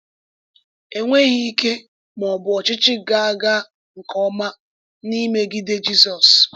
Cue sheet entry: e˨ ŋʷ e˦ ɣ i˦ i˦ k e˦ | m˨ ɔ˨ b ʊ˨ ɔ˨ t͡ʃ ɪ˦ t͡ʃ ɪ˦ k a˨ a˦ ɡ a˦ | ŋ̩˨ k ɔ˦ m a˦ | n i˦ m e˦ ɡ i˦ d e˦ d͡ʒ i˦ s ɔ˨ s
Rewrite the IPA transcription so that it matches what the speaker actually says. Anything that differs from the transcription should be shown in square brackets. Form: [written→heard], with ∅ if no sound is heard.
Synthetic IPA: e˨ ŋʷ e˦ ɣ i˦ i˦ k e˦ | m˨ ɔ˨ b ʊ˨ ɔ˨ t͡ʃ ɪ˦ t͡ʃ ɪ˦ [k→ɡ] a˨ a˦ ɡ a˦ | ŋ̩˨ k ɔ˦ m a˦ | n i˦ m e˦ ɡ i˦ d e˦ d͡ʒ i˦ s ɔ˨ s